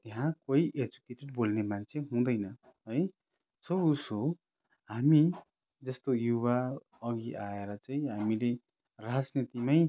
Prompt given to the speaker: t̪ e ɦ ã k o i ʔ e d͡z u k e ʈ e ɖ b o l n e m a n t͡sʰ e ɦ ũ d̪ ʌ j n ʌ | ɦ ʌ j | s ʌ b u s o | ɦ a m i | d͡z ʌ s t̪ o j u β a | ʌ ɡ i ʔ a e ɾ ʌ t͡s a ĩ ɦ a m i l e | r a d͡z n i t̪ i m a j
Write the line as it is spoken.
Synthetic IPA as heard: t̪ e ɦ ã k o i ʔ e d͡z u k e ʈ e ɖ b o l n e m a n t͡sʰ e ɦ ũ d̪ ʌ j n ʌ | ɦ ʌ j | s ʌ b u s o | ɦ a m i | d͡z ʌ s t̪ o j u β a | ʌ ɡ i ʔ a e ɾ ʌ t͡s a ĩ ɦ a m i l e | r a d͡z n i t̪ i m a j